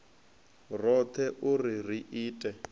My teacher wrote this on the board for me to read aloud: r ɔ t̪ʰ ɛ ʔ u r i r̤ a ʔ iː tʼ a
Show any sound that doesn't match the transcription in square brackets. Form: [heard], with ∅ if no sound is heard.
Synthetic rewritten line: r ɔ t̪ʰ ɛ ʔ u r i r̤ [i] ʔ iː tʼ [ɛ]